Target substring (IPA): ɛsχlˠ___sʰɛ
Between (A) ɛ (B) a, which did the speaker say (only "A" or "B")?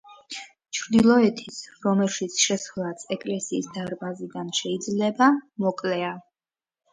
B